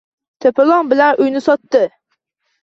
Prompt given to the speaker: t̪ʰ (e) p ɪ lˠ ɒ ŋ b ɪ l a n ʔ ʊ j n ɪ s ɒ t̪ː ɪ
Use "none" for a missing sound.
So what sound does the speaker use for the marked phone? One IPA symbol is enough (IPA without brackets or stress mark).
e